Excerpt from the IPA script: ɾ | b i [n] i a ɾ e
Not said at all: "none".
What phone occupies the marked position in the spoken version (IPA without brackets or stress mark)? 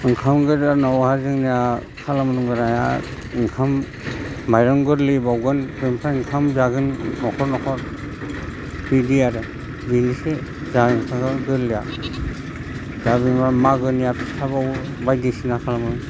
d